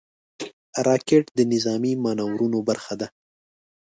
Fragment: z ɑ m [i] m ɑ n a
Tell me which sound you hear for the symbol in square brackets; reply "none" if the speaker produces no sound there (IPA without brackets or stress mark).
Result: i